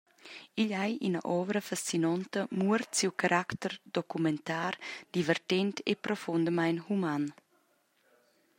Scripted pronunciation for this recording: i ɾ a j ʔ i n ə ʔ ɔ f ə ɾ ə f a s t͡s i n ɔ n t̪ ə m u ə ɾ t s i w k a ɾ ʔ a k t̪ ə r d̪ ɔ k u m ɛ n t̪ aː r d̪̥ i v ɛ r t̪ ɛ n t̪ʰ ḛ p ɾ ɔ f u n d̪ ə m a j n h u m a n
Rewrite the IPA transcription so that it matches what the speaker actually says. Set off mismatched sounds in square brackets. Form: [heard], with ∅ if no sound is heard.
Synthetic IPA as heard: i [ʎ] a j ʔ i n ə ʔ ɔ [v] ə ɾ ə f a s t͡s i n ɔ n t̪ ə m u ə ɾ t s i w k a ɾ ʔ a k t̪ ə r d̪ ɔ k u m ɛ n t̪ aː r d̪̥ i v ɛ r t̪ ɛ n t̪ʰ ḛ p ɾ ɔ f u n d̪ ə m a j n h u m a n